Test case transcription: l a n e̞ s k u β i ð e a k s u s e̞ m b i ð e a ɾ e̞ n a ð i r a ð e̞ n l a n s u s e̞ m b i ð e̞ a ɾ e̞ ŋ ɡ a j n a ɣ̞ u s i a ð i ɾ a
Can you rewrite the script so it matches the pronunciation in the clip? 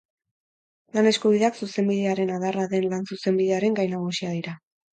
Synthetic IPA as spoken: l a n e̞ s k u β i ð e a k s u s e̞ m b i ð e a ɾ e̞ n a ð a r a ð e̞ n l a n s u s e̞ m b i ð e̞ a ɾ e̞ ŋ ɡ a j n a ɣ̞ u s i a ð i ɾ a